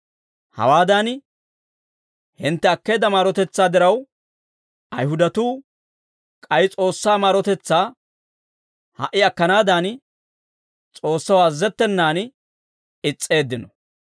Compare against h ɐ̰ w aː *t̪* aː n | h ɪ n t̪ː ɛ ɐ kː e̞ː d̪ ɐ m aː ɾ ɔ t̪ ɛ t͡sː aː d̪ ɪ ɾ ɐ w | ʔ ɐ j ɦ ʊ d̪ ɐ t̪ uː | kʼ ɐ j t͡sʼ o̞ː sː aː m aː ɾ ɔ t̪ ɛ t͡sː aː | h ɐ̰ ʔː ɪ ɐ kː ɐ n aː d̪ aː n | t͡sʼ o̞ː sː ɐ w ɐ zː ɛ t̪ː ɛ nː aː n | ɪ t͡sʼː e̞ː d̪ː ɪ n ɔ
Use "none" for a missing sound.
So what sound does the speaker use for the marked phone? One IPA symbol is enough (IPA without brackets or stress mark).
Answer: d̪